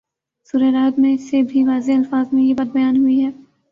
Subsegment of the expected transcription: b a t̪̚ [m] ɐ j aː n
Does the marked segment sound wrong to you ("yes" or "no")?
yes